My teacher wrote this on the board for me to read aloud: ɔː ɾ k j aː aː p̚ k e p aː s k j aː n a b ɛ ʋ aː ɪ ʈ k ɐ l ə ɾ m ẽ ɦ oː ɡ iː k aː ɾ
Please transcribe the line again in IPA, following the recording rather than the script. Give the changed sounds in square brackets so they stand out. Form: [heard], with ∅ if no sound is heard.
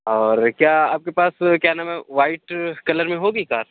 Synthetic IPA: ɔː ɾ k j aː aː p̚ k e p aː s k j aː n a [m] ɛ ʋ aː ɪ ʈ k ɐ l ə ɾ m ẽ ɦ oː ɡ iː k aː ɾ